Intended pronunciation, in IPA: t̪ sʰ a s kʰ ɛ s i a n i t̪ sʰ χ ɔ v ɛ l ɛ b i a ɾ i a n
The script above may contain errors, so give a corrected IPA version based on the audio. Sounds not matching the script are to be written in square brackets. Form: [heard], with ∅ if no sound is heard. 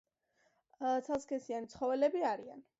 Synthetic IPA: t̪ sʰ a s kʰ ɛ s i a n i t̪ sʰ χ ɔ v ɛ l ɛ b i a ɾ i a n